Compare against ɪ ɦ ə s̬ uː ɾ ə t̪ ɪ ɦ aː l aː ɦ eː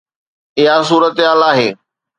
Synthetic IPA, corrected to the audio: ɪ ɦ a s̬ uː ɾ ə t̪ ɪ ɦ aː l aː ɦ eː